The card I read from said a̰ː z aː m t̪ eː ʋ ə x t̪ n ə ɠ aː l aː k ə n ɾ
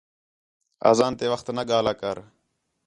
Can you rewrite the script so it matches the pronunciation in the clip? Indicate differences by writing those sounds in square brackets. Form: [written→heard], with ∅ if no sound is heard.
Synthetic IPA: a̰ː z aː [m→n] t̪ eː ʋ ə x t̪ n ə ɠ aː l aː k ə [n→∅] ɾ